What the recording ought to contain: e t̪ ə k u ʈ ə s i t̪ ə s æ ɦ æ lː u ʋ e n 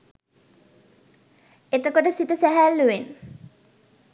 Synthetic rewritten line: e t̪ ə k o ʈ ə s i t̪ ə s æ ɦ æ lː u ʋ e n